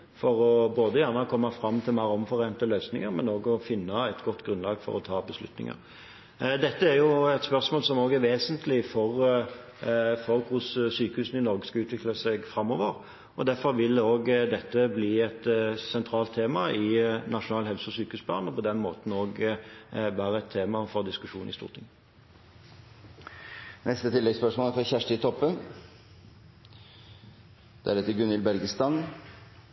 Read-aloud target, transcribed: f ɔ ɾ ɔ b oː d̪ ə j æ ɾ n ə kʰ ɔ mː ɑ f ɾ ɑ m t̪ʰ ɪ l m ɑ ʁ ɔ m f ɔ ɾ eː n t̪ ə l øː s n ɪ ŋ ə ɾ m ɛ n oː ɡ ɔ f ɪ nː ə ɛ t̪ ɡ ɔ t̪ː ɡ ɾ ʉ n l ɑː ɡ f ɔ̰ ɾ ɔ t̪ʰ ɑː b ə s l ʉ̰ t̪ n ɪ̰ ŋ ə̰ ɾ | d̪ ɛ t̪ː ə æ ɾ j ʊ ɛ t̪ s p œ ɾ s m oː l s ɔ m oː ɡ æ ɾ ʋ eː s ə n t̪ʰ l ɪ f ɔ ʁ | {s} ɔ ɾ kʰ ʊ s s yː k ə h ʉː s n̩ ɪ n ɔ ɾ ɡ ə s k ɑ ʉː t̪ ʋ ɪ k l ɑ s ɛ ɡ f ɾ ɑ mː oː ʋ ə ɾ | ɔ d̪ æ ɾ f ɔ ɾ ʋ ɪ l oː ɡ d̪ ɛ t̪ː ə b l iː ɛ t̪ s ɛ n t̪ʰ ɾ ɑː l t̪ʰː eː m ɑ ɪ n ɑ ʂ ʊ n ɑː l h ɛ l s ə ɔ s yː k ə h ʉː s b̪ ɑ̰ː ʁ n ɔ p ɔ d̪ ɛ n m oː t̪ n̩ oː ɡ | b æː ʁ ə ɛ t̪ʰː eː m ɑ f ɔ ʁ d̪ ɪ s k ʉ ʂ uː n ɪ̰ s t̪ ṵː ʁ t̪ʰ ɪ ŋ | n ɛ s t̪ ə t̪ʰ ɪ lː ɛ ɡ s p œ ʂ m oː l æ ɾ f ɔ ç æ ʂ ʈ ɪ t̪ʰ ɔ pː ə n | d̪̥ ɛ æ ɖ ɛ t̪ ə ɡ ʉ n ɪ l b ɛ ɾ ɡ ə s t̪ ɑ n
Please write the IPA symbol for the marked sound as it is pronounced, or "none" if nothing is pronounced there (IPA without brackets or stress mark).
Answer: f